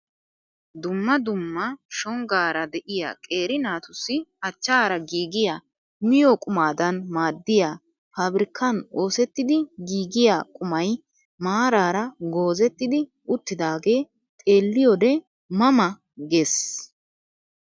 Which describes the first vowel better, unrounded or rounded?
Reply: rounded